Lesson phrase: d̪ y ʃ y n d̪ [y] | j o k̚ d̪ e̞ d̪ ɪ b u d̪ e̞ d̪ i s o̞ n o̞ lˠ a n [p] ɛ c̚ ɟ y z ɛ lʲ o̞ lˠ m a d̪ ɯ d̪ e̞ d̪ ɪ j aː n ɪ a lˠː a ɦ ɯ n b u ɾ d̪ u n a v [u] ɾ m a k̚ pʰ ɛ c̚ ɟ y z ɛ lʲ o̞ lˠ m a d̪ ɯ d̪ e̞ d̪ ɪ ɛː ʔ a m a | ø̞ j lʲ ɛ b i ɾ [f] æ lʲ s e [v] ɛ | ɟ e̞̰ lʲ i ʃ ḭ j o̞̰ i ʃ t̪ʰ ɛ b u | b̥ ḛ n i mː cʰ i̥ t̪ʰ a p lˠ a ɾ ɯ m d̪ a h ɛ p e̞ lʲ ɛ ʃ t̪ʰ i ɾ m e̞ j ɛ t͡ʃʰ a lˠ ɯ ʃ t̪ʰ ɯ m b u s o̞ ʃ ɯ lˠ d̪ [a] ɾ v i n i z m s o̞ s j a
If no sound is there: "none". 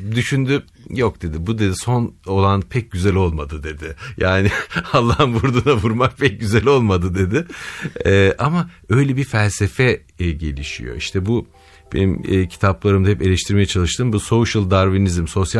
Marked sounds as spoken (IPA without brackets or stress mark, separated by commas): y, pʰ, u, f, f, a